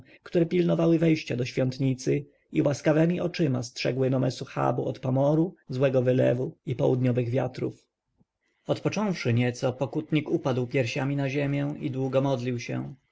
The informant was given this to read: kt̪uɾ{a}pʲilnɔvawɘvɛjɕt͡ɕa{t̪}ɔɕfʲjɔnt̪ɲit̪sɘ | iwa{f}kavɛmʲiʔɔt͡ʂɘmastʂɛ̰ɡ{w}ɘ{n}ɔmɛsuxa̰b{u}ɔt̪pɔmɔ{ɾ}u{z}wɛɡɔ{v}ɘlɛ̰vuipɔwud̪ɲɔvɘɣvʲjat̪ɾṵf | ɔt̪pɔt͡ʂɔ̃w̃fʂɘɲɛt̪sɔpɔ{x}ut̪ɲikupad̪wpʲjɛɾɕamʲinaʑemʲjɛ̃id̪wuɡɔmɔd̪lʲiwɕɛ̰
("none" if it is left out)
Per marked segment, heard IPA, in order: ɛ, d̪, s, w, n, u, ɾ, z, v, k

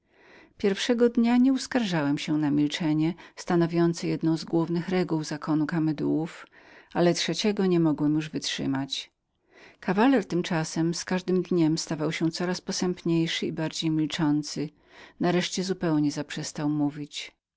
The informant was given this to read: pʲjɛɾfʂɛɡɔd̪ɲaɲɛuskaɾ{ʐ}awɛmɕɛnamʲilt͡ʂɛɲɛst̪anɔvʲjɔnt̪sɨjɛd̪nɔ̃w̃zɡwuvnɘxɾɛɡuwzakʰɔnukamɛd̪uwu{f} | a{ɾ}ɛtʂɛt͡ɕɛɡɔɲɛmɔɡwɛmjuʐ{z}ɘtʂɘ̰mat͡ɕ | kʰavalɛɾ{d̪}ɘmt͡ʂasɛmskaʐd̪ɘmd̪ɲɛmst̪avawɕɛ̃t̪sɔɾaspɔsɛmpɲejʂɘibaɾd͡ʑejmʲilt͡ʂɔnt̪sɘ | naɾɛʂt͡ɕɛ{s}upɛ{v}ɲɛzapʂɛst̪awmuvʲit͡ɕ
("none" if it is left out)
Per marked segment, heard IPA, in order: ʐ, f, l, v, t̪, z, w

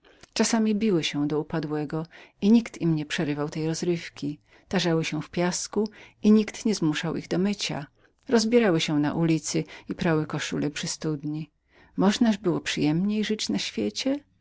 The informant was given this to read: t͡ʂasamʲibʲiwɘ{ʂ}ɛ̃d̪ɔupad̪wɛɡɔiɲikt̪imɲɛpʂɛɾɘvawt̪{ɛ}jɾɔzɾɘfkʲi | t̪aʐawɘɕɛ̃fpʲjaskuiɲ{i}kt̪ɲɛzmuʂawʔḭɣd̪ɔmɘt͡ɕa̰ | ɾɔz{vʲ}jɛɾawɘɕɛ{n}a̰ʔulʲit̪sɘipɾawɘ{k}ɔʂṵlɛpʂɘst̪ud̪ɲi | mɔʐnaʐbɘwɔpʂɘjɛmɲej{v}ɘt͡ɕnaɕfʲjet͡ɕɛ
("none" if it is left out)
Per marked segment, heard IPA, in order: ɕ, ɛ, i, bʲ, n, k, ʐ

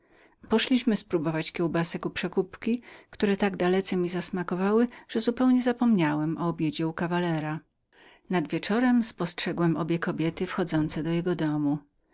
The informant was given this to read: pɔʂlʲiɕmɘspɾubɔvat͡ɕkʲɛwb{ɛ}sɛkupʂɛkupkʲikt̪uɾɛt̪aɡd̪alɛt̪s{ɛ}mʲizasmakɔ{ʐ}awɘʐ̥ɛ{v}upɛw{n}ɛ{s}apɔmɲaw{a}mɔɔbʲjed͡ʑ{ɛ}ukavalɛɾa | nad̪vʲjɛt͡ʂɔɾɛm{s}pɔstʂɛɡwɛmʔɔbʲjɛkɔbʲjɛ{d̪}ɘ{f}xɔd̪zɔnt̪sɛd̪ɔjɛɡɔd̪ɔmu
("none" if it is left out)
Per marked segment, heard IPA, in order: a, ɛ, v, z, ɲ, z, ɛ, ɛ, s, t̪, f

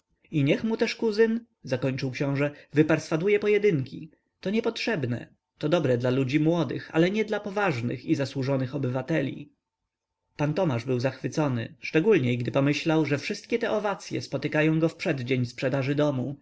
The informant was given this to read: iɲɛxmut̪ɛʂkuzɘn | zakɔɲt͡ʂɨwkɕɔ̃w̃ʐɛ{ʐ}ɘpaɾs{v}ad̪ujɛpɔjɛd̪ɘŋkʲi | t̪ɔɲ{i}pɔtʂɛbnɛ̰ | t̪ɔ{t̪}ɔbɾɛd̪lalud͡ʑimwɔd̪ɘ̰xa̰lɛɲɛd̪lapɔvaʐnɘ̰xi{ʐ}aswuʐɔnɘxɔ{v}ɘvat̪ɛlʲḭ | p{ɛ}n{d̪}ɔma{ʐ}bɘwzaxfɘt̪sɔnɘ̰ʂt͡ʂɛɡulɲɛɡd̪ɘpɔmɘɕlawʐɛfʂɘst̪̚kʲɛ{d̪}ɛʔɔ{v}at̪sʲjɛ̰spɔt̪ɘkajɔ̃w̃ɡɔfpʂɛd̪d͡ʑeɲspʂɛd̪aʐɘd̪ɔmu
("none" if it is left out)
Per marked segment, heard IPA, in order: v, f, ɛ, d̪, z, b, a, t̪, ʐ, t̪, v

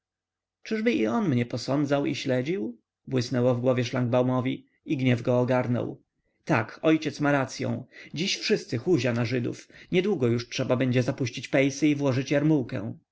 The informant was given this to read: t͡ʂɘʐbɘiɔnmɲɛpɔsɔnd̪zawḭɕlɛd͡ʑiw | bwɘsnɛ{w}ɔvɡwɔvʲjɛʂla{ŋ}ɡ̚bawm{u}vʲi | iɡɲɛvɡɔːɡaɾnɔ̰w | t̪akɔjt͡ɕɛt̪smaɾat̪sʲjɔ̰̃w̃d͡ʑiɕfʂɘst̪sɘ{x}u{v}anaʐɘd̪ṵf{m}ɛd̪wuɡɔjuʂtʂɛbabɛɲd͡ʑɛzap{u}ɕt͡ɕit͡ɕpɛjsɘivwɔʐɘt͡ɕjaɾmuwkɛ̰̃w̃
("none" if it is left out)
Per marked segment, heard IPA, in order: w, ŋ, ɔ, x, ʑ, ɲ, u

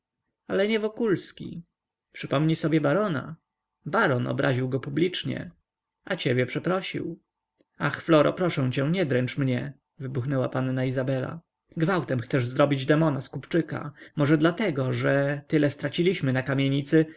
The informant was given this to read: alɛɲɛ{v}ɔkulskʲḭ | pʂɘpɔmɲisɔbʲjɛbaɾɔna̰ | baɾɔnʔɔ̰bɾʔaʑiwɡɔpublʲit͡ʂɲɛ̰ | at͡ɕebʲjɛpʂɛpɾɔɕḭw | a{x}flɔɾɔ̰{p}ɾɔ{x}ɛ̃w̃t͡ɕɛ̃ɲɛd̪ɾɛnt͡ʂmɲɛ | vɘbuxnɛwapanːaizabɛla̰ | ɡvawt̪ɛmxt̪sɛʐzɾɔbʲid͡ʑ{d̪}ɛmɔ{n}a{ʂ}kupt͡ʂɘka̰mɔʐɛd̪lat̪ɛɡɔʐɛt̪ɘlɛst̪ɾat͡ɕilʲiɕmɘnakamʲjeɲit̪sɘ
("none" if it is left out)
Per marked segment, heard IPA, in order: v, x, p, ʂ, d̪, n, s

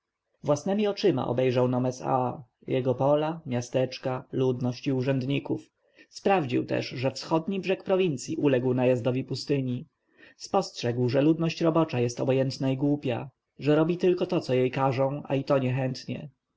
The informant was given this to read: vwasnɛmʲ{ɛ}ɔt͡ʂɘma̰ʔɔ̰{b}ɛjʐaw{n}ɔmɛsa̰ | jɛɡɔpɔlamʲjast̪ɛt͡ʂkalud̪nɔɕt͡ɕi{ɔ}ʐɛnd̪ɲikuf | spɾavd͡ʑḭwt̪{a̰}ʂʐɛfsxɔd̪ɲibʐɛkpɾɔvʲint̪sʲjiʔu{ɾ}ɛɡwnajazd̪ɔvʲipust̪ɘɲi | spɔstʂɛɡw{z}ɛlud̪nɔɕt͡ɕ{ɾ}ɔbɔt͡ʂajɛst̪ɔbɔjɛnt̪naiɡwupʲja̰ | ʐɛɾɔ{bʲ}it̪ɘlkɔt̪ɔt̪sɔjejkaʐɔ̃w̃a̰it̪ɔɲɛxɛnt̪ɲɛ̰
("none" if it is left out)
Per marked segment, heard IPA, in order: i, b, n, u, ɛ̰, l, ʐ, ɾ, bʲ

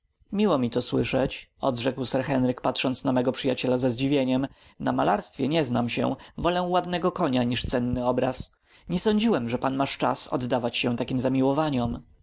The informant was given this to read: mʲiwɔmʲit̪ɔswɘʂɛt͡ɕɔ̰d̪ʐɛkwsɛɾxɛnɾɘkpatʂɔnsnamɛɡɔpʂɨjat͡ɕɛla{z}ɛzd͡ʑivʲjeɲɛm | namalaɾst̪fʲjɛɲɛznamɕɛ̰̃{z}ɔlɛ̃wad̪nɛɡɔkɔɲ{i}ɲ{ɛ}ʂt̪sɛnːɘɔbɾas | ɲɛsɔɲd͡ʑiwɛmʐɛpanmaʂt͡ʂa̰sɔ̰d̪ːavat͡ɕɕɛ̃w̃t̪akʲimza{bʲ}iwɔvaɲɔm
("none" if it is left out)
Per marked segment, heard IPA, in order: z, v, a, i, mʲ

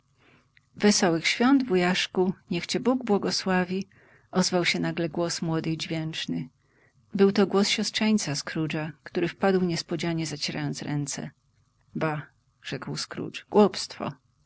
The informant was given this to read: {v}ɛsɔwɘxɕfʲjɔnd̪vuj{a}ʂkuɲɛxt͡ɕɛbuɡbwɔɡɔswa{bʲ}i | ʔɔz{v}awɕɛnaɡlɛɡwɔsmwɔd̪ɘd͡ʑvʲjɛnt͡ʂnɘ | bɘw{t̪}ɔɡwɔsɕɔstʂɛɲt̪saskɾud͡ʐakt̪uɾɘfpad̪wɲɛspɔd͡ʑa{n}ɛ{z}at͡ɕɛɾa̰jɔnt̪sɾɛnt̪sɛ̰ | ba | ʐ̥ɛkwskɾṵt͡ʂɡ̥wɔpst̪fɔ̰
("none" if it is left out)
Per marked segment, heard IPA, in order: v, a, vʲ, v, t̪, ɲ, z

